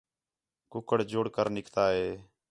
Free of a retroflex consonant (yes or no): no